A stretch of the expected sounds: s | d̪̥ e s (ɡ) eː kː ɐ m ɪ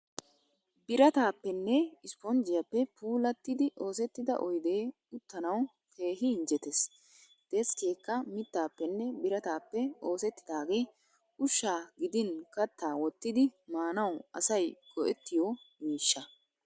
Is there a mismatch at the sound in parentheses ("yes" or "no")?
yes